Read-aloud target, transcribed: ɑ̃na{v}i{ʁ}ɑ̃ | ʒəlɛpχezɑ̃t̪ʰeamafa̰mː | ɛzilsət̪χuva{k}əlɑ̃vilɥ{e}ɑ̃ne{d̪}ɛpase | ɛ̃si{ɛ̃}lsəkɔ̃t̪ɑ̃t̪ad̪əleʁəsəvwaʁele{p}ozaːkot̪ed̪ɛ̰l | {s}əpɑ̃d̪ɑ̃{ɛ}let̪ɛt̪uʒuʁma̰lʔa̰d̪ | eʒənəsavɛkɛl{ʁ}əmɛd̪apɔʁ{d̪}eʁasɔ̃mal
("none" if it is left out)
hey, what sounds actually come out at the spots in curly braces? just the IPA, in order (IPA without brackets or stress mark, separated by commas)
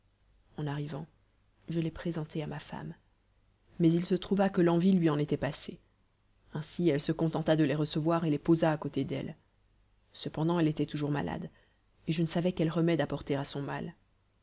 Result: ʁ, v, k, i, t̪, ɛ, p, s, ɛ, ʁ, t̪